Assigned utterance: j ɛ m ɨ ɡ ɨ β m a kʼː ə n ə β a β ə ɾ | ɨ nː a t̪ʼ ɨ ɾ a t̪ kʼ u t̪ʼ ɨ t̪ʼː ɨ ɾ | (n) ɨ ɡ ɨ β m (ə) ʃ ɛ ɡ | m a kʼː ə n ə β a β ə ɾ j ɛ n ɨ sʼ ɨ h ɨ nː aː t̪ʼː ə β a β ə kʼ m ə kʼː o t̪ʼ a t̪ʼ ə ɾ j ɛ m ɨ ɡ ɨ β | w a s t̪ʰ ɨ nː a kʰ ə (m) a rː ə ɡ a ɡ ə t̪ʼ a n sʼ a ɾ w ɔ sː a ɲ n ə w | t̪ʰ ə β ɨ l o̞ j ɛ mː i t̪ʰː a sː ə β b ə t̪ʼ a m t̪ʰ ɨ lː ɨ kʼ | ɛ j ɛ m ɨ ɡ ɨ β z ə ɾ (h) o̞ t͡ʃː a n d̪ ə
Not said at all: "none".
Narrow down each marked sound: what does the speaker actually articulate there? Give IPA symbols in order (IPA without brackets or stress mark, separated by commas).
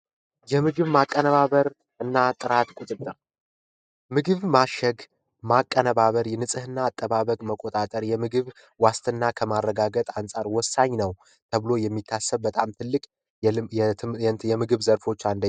m, a, m, f